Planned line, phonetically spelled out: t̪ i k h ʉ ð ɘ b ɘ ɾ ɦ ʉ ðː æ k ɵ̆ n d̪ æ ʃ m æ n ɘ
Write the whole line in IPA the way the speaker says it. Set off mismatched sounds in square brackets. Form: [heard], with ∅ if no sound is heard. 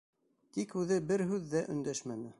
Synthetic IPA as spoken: t̪ i k h ʉ ð ɘ b ɘ ɾ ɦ ʉ ðː æ [ʔ] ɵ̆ n d̪ æ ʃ m æ n ɘ